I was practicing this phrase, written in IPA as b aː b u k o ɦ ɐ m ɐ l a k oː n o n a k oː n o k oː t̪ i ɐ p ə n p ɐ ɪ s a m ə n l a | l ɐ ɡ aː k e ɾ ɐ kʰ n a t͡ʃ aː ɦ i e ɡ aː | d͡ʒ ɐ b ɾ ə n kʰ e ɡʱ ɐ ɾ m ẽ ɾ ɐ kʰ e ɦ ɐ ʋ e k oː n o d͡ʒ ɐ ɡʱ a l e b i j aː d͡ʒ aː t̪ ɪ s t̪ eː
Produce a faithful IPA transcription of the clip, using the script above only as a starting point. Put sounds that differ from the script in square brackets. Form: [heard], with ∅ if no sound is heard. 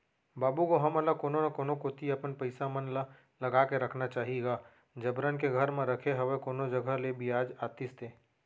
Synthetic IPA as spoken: b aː b u k o ɦ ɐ m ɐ l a k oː n o n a k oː n o k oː t̪ i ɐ p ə n p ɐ ɪ s a m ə n l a | l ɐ ɡ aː k e ɾ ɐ kʰ n a t͡ʃ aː ɦ i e ɡ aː | d͡ʒ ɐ b ɾ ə n [k] e ɡʱ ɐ ɾ m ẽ ɾ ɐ kʰ e ɦ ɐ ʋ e k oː n o d͡ʒ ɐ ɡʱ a l e b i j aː d͡ʒ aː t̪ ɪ s t̪ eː